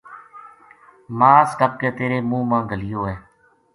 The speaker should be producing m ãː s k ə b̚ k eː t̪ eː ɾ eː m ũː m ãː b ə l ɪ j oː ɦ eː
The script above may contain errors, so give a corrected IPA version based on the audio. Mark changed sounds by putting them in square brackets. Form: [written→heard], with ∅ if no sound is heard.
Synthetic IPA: m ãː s k ə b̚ k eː t̪ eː ɾ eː m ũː m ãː [b→ɡ] ə l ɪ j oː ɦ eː